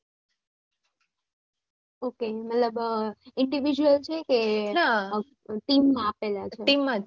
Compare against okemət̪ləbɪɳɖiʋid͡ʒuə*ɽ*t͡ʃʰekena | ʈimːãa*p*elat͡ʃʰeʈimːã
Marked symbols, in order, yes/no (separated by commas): no, yes